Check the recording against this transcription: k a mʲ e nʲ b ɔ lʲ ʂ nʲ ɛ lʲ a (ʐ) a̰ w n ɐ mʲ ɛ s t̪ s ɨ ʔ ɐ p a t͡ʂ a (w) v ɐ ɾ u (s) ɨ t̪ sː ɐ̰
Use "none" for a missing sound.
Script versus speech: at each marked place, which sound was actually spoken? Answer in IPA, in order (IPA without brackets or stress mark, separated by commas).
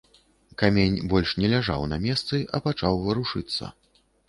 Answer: ʐ, w, ʂ